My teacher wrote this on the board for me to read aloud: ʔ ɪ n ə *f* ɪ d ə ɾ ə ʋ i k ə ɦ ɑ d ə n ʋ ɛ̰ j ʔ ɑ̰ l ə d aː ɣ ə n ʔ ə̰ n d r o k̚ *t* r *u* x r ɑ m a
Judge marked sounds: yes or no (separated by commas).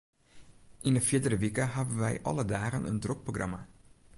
yes, no, no